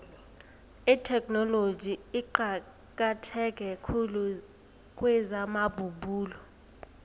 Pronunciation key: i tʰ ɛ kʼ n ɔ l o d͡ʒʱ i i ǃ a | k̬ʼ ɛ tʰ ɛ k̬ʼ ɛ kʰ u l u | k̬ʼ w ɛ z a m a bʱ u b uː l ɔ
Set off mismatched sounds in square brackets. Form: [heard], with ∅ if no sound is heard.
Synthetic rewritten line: i tʰ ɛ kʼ n ɔ l o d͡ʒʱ i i ǃ a | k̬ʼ [a] tʰ ɛ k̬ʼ ɛ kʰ u l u | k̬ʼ w ɛ z a m a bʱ u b uː l ɔ